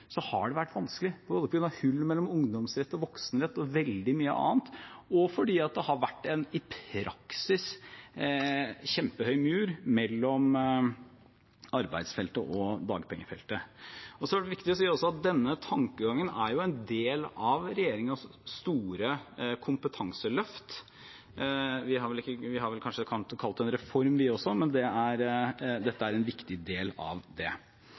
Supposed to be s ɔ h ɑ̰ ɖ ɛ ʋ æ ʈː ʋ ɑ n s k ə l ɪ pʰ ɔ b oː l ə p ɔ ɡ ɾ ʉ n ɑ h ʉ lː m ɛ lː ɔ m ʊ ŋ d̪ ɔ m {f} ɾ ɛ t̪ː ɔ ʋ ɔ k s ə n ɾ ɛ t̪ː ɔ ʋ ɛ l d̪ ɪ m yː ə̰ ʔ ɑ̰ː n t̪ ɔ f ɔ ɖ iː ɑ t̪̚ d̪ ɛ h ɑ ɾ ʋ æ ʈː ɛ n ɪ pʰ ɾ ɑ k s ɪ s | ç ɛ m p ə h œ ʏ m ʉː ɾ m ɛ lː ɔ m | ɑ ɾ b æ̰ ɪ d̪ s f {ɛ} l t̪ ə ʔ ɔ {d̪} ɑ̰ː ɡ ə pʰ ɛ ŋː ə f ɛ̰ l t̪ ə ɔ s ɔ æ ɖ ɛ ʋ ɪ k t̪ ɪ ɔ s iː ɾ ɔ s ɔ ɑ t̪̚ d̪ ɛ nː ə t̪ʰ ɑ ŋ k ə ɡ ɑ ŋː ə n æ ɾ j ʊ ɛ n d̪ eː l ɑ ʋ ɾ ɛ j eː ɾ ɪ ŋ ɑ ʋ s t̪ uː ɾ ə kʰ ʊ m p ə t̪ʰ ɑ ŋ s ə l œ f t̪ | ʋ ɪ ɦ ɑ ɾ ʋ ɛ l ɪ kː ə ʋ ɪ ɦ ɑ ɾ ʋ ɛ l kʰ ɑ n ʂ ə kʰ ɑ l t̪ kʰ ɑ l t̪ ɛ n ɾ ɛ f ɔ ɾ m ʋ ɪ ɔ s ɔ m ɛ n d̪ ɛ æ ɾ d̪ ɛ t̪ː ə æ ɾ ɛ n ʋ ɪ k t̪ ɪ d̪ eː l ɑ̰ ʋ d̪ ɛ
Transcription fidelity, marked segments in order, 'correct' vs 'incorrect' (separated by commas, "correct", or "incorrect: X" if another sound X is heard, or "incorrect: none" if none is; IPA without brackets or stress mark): incorrect: s, correct, correct